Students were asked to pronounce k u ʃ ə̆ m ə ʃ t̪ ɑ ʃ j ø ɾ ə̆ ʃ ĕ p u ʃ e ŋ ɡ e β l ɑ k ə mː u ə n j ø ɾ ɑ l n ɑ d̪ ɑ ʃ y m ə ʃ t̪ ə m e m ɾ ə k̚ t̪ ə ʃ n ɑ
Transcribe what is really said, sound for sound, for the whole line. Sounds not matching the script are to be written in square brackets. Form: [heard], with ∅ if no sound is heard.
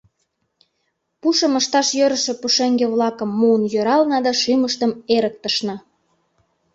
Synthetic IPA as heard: [p] u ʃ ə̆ m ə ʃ t̪ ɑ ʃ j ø ɾ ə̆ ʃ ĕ p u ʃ e ŋ ɡ e β l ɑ k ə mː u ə n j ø ɾ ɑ l n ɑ d̪ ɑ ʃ y m ə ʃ t̪ ə m e [∅] ɾ ə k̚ t̪ ə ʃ n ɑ